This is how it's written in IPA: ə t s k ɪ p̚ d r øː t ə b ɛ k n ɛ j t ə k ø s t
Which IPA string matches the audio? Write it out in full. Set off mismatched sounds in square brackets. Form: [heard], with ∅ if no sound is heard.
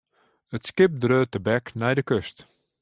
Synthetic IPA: ə t s k ɪ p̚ d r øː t ə b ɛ k n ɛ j [d] ə k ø s t

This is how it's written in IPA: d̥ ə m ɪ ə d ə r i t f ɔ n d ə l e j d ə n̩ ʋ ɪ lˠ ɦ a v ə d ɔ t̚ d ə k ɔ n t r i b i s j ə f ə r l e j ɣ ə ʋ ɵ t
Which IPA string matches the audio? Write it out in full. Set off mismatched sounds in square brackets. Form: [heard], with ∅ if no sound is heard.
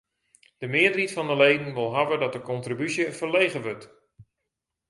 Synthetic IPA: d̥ ə m ɪ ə d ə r i t f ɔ n d ə l e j d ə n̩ ʋ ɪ lˠ ɦ a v ə d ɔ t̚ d ə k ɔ n t r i b [y] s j ə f ə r l e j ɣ ə ʋ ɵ t

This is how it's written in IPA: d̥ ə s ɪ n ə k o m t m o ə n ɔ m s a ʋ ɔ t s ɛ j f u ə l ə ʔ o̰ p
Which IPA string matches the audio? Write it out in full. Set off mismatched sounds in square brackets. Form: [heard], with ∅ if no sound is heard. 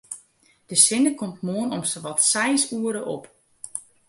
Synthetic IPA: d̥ ə s ɪ n ə k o m t m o ə n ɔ m s [ə] ʋ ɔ t s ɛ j [s] u ə [ɾ] ə ʔ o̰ p

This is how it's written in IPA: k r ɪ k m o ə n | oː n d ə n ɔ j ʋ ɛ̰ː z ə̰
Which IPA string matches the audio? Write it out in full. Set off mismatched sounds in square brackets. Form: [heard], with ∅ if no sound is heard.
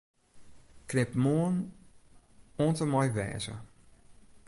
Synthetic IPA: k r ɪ [p] m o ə n | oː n [t] ə [m] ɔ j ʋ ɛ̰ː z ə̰

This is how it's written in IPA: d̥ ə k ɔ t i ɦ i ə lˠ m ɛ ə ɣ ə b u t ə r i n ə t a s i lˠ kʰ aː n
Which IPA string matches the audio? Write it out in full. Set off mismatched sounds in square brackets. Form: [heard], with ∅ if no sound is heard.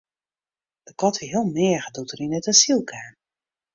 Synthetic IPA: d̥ ə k ɔ t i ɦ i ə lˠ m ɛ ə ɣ ə [d] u t ə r i n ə t a s i lˠ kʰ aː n

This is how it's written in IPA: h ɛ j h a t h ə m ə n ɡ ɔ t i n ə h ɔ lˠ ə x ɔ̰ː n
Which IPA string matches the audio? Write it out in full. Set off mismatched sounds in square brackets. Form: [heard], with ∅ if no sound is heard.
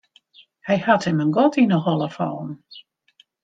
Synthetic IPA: h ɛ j h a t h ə m ə n ɡ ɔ t i n ə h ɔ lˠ ə [f] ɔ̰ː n

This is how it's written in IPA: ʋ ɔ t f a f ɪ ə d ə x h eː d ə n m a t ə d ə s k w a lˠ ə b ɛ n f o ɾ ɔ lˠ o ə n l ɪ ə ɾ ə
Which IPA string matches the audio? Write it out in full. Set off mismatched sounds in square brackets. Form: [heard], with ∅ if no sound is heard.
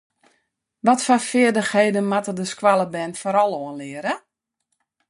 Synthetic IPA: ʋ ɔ t f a f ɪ ə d ə x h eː d ə n m a t ə d ə s k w a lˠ ə b ɛ n f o ɾ ɔ lˠ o ə n l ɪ ə ɾ ə

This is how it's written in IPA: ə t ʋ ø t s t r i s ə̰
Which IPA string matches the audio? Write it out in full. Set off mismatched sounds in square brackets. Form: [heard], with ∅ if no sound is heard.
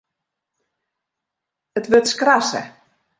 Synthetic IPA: ə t ʋ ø t s [k] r [a] s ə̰

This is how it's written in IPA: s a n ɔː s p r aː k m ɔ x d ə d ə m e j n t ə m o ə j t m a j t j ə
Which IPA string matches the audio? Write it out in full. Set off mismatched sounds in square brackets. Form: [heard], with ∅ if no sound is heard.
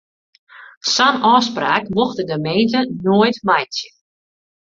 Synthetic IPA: s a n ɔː s p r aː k m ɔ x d ə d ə m e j n t ə [n] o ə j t m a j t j ə

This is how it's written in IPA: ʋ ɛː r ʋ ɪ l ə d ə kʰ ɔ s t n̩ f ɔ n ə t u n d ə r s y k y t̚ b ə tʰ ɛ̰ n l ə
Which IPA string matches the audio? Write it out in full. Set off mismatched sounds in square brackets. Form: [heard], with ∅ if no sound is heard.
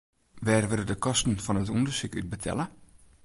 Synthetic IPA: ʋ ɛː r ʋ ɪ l ə d ə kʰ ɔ s t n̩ f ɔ n ə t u n d ə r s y k y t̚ b ə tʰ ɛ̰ [∅] l ə

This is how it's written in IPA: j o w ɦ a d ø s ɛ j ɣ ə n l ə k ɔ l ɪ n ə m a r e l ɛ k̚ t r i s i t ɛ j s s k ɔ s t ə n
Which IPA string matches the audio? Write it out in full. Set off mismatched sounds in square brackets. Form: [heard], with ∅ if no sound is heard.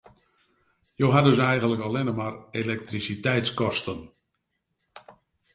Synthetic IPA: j o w ɦ a d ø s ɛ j ɣ ə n l ə k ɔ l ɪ n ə m a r e l ɛ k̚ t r i s i t ɛ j [t] s k ɔ s t ə n

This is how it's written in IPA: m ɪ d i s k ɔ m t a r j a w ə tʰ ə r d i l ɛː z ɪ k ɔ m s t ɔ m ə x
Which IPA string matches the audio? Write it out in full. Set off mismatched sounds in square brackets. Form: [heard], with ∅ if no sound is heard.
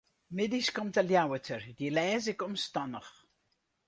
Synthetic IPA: m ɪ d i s k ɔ m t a [l] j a w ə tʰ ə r d i l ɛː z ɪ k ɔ m s t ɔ [n] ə [χ]

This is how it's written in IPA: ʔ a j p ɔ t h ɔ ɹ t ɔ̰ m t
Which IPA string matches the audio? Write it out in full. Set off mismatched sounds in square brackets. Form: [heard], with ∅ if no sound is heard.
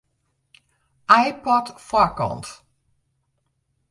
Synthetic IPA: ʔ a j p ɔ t [f] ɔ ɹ [k] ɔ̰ [n] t

